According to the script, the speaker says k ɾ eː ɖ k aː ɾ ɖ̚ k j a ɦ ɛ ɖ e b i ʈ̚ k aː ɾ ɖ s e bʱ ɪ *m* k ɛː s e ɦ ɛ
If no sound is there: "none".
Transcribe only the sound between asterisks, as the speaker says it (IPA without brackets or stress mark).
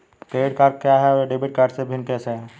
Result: n